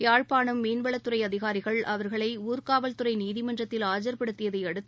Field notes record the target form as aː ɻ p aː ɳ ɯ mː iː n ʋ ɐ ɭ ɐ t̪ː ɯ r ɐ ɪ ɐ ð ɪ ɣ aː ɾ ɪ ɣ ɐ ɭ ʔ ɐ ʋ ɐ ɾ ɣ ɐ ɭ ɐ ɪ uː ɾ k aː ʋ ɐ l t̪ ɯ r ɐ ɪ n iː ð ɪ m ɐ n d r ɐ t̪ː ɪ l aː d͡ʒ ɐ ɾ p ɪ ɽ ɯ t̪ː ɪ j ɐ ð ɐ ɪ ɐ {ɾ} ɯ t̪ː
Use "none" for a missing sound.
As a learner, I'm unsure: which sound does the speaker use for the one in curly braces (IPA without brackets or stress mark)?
ɽ